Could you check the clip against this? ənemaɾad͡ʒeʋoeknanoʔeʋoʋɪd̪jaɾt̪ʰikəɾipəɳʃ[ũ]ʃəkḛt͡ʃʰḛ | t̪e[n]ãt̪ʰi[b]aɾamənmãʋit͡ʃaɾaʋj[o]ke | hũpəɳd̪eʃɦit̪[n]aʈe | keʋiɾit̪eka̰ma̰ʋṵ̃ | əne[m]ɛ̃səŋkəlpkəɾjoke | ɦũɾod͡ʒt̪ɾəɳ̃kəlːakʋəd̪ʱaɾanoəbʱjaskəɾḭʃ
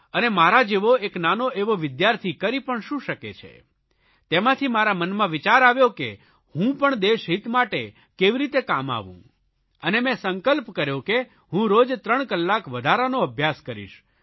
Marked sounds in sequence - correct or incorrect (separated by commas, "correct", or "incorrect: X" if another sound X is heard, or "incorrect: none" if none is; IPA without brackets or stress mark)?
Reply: correct, incorrect: m, incorrect: m, correct, incorrect: m, correct